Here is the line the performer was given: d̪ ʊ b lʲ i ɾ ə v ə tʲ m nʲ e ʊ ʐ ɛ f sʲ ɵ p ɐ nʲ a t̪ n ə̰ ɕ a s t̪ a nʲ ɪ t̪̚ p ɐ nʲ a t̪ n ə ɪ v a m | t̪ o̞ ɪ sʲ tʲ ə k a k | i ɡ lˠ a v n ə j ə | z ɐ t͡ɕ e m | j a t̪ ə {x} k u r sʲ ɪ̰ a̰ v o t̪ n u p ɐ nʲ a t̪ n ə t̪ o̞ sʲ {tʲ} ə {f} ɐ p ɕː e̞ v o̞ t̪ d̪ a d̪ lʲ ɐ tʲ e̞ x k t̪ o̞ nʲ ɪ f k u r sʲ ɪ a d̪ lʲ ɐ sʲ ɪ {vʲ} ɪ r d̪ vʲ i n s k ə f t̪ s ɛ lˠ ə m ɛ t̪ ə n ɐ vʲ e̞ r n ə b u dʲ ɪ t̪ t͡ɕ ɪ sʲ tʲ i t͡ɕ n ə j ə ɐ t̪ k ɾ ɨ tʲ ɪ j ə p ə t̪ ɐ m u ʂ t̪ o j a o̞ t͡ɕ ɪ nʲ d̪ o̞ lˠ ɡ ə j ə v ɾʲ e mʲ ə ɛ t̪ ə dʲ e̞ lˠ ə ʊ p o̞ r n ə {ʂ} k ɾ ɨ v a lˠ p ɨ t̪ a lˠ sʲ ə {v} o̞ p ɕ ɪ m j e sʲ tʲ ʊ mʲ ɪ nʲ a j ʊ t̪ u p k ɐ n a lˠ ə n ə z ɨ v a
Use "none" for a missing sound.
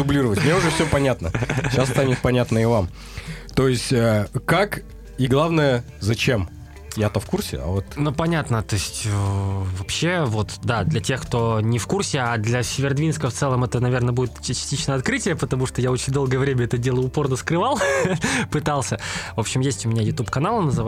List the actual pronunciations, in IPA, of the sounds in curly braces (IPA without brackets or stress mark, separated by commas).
f, tʲ, v, vʲ, s, v